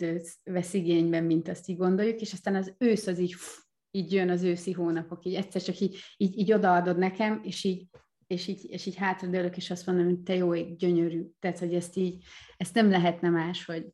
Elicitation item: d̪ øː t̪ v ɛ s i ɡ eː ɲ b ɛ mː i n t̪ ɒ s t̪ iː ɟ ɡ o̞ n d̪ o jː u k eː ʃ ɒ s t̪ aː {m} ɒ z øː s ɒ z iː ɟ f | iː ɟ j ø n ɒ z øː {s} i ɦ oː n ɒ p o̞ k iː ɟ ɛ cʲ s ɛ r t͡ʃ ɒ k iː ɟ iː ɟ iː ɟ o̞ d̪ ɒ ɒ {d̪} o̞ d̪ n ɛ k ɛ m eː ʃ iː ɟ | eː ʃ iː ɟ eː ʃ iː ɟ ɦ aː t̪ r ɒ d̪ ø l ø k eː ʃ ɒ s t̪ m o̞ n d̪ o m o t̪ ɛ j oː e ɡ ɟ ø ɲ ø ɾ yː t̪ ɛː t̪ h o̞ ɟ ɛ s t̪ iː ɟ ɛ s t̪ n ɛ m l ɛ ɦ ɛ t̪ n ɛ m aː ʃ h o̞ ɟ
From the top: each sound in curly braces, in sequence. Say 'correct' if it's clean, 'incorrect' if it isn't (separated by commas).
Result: incorrect, correct, correct